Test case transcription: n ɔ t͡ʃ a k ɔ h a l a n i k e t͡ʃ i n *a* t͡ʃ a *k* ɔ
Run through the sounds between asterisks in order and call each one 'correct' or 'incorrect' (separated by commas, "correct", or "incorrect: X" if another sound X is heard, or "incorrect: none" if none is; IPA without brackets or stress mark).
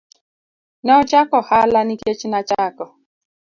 correct, correct